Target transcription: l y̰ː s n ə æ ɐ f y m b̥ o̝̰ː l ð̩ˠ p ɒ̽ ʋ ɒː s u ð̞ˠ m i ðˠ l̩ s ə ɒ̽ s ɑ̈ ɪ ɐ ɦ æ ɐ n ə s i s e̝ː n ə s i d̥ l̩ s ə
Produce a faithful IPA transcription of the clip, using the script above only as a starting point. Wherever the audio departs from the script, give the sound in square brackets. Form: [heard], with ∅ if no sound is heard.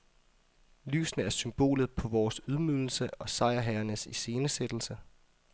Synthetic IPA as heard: l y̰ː s n ə æ ɐ [s] y m b̥ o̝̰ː l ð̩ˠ [pʰ] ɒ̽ ʋ ɒː s u ð̞ˠ m [y] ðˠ l̩ s ə ɒ̽ s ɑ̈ ɪ ɐ ɦ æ ɐ n ə s i s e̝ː n ə s [e] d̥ l̩ s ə